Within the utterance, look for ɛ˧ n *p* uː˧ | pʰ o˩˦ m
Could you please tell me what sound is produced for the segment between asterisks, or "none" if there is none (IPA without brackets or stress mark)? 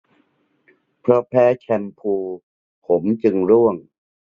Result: pʰ